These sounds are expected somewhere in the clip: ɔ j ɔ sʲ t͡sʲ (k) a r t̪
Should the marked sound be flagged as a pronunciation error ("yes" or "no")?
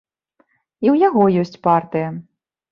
yes